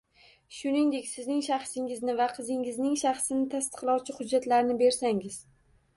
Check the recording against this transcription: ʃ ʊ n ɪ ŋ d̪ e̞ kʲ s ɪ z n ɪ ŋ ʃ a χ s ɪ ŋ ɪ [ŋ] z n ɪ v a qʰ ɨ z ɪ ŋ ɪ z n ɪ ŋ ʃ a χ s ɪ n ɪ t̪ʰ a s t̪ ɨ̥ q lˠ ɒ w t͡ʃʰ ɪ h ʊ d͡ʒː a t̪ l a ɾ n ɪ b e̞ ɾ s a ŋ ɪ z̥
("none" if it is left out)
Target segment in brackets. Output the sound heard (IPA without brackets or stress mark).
none